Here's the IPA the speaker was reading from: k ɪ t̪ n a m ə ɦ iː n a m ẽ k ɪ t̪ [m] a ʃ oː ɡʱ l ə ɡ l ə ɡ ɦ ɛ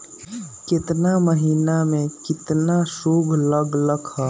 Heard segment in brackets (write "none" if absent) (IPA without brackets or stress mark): n